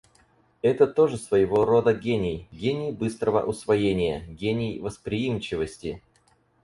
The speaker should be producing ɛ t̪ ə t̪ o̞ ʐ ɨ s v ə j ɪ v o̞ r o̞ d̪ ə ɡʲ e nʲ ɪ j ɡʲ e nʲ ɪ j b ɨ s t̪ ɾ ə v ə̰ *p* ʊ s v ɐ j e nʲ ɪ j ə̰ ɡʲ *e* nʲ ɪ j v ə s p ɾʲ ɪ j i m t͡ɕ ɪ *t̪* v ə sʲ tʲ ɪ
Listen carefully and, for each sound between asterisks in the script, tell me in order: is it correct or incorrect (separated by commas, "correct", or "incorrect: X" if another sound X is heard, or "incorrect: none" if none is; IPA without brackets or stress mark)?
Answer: incorrect: ʔ, correct, incorrect: none